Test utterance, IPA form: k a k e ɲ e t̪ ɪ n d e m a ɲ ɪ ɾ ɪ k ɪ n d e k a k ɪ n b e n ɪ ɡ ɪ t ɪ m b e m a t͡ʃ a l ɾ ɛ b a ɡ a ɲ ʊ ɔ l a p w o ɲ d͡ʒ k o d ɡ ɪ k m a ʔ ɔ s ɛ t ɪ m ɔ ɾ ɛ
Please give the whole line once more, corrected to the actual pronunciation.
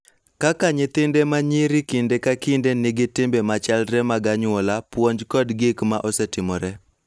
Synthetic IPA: k a k a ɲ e t̪ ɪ n d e m a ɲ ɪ ɾ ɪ k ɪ n d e k a k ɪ n d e n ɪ ɡ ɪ t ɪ m b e m a t͡ʃ a l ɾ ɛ m a ɡ a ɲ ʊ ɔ l a p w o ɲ d͡ʒ k ɔ d ɡ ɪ k m a ʔ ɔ s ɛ t ɪ m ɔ ɾ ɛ